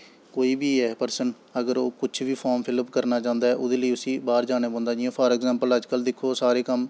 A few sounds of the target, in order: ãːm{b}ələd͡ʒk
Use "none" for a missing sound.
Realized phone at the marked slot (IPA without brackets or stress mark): p